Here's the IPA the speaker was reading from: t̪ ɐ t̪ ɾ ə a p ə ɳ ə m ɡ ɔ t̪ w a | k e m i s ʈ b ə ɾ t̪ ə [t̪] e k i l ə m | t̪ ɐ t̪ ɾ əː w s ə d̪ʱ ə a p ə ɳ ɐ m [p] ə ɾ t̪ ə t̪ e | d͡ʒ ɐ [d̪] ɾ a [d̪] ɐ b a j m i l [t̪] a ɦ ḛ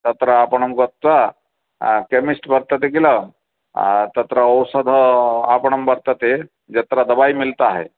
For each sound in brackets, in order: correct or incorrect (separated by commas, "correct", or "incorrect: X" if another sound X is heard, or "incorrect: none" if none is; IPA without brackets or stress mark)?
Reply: correct, incorrect: b, incorrect: t̪, correct, correct